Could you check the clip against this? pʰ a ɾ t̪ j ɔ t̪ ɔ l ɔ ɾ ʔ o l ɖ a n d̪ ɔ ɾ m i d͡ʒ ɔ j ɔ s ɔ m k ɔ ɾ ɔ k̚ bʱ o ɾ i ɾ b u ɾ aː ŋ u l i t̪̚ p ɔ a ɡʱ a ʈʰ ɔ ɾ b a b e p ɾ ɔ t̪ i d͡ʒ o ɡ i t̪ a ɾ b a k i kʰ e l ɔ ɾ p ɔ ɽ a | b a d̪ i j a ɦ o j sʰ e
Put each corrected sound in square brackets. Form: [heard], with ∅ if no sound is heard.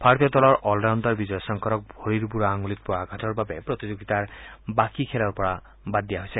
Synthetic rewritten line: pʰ a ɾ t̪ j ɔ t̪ ɔ l ɔ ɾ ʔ [ɔ] l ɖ a n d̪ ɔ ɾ [b] i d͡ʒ ɔ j ɔ s ɔ [ŋ] k ɔ ɾ ɔ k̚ bʱ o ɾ i ɾ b u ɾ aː ŋ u l i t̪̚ p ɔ a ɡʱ a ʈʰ ɔ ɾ b a b e p ɾ ɔ t̪ i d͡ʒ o ɡ i t̪ a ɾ b a k i kʰ e l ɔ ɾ p ɔ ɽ a | b a d̪ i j a ɦ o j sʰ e